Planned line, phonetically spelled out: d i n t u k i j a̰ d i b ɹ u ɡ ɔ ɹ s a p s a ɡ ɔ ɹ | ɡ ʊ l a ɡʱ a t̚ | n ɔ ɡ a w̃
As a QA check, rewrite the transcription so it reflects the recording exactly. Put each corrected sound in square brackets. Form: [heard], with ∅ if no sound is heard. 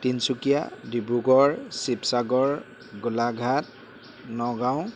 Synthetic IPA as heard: [t] i n [s] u k i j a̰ d i b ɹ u ɡ ɔ ɹ s [i] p s a ɡ ɔ ɹ | ɡ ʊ l a ɡʱ a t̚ | n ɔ ɡ a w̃